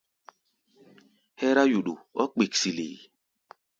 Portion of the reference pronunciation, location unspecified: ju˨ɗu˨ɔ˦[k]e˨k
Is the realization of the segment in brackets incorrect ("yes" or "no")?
yes